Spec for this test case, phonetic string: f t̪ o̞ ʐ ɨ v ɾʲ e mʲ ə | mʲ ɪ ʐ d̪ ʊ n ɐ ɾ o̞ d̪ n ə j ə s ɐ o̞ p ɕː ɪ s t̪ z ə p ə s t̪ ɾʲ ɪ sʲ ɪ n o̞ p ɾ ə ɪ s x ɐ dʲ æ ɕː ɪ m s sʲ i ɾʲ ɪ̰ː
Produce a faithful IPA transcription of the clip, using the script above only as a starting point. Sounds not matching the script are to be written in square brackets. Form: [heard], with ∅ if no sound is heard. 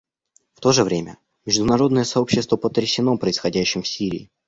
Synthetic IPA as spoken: f t̪ o̞ ʐ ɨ v ɾʲ e mʲ ə | mʲ ɪ ʐ d̪ ʊ n ɐ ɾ o̞ d̪ n ə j ə s ɐ o̞ p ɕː ɪ s t̪ [v] ə p ə [∅] t̪ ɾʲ ɪ sʲ ɪ n o̞ p ɾ ə ɪ s x ɐ dʲ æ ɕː ɪ m [f] sʲ i ɾʲ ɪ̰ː